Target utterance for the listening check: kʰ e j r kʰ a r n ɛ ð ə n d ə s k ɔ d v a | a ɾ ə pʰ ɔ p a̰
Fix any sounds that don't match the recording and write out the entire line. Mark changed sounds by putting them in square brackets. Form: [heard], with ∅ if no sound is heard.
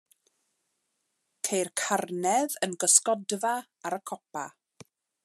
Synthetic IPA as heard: kʰ e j r kʰ a r n ɛ ð ə n [ɡ] ə s k ɔ d v a | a ɾ ə [kʰ] ɔ p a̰